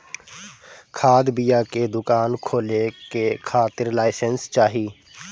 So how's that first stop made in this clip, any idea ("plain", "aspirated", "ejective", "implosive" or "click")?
aspirated